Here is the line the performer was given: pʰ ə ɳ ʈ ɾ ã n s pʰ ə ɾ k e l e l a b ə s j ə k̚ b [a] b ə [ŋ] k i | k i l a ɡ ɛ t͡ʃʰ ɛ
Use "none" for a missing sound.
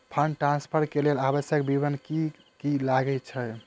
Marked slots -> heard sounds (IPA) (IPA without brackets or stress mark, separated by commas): i, n